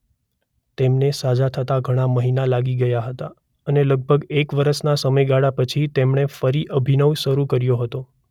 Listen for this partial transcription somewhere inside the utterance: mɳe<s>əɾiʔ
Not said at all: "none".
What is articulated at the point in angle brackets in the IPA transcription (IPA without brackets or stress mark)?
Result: f